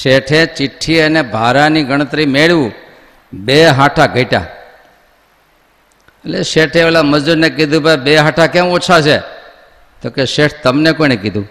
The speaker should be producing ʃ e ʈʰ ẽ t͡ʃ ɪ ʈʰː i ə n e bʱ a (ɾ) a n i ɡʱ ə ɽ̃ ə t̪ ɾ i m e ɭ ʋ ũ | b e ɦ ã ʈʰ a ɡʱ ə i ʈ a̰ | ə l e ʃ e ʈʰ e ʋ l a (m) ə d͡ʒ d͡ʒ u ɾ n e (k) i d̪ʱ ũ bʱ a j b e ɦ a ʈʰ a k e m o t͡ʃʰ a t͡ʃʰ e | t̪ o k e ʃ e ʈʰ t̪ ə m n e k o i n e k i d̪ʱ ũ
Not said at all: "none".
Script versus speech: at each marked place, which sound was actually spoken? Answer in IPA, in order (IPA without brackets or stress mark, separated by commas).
ɾ, m, k